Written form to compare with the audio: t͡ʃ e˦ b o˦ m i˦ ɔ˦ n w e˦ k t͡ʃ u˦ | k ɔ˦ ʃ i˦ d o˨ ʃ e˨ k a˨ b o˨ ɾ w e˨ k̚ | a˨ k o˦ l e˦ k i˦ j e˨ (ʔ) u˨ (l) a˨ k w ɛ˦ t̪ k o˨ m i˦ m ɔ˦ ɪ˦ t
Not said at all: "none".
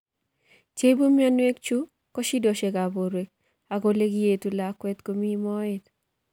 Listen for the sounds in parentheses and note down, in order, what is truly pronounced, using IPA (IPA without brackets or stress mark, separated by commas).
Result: t, l